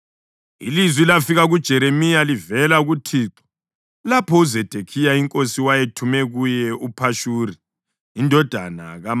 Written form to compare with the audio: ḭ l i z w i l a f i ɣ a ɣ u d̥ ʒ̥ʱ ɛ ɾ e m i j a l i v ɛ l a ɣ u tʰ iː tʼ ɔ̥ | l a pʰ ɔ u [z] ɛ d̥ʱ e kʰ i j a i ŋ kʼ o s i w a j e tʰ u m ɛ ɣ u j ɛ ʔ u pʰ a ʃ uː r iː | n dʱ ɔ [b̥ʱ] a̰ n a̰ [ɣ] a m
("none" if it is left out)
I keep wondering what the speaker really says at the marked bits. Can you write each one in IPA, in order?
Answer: z, d̥ʱ, ɣ

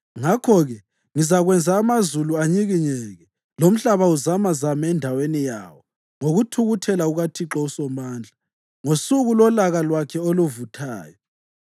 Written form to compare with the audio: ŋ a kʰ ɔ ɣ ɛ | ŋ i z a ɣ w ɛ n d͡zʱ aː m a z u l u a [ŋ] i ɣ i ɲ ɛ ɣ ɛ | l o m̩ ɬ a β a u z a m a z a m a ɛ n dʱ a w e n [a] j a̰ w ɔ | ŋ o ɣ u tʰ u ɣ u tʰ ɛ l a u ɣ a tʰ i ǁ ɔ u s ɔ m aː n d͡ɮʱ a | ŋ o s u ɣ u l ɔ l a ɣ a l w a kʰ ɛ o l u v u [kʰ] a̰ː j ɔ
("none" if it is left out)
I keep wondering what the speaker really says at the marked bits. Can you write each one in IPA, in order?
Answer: ɲ, i, tʰ

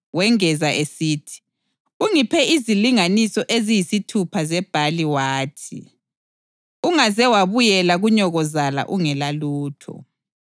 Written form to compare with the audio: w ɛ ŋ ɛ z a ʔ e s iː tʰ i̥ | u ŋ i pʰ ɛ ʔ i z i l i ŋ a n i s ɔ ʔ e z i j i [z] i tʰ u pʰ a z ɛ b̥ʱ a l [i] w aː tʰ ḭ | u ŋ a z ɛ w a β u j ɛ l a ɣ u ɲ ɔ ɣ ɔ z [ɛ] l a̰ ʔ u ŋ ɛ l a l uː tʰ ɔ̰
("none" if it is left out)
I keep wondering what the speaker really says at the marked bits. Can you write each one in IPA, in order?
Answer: s, i, a

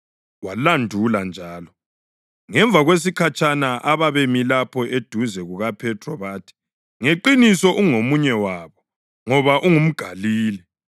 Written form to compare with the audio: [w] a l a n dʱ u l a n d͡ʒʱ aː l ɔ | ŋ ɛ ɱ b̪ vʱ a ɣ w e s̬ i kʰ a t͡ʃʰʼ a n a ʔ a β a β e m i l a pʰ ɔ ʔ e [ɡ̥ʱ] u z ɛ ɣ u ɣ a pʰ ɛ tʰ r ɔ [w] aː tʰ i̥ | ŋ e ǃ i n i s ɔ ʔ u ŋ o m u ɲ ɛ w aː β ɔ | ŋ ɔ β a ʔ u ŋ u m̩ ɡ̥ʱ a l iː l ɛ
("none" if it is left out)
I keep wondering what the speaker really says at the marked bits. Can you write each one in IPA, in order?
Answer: w, d̥ʱ, β

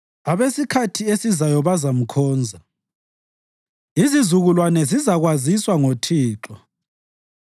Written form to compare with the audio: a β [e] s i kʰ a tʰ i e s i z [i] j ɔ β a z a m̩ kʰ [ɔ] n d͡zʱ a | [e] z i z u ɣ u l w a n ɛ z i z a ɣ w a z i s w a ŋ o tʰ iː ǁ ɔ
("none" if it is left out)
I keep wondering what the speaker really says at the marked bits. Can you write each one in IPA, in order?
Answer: e, a, ɔː, i

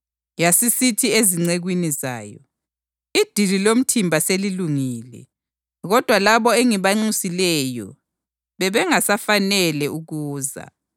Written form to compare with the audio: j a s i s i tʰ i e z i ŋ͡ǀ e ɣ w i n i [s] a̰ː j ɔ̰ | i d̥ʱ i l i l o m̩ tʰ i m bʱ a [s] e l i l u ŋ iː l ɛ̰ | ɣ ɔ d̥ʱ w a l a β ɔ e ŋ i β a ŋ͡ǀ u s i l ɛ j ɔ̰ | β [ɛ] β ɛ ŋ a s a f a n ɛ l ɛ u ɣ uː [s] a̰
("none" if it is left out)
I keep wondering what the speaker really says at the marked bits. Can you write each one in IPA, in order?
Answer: z, s, ɛ, z

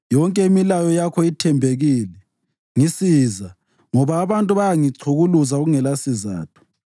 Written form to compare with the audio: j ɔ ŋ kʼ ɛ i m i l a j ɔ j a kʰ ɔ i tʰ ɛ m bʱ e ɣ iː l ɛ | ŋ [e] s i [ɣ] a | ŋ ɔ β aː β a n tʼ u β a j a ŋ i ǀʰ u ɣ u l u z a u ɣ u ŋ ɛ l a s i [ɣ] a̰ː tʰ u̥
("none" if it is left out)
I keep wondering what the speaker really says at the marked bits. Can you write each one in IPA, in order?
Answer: i, z, z

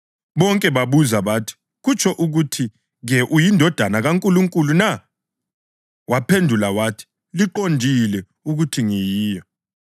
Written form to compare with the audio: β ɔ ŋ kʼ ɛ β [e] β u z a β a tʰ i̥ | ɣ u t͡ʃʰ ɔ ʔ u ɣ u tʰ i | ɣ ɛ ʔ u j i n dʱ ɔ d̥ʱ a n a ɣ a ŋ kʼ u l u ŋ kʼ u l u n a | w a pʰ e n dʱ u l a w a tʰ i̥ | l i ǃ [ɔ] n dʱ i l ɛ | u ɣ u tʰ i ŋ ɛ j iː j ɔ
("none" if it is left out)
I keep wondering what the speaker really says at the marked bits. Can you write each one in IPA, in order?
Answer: a, o

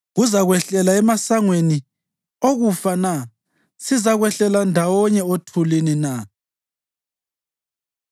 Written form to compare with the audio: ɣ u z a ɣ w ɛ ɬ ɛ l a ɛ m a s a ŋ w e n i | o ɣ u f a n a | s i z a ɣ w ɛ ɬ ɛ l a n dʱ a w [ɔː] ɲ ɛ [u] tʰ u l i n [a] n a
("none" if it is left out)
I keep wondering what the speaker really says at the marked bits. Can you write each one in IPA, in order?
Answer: ɔ, o, i

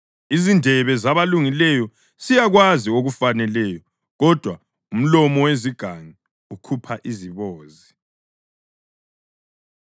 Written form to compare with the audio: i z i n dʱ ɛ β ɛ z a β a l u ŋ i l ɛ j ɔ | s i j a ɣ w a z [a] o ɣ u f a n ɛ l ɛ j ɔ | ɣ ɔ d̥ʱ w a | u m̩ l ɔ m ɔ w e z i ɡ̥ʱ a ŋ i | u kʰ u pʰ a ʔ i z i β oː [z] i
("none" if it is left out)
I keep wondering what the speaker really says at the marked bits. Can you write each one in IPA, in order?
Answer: i, z

